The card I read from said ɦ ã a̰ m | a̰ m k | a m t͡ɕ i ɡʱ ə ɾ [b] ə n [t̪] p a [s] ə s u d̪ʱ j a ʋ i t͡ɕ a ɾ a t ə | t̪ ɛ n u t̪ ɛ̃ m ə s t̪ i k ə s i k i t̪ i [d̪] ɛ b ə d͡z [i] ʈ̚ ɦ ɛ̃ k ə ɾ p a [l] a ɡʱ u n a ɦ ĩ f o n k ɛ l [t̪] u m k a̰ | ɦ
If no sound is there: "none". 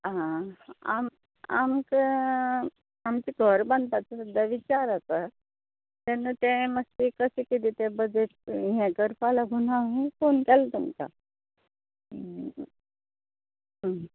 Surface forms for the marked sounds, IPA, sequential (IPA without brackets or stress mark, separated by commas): b, d̪, t͡s, t̪, e, l, t̪